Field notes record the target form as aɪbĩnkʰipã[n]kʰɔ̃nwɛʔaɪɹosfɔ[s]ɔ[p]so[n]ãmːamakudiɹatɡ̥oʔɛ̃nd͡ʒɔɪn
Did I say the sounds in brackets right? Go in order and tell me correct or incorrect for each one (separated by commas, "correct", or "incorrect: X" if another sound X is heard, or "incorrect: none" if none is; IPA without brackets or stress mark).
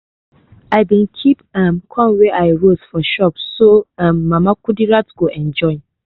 incorrect: m, incorrect: ʃ, correct, incorrect: none